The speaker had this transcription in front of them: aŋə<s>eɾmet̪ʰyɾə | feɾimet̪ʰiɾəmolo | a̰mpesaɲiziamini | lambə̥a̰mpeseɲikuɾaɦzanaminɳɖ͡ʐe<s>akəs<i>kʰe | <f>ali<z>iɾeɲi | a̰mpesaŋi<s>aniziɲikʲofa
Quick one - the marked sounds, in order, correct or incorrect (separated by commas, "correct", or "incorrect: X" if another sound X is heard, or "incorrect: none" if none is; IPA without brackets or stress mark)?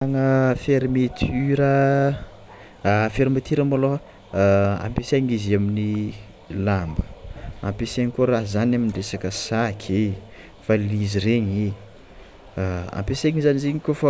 incorrect: f, correct, incorrect: a, correct, correct, incorrect: z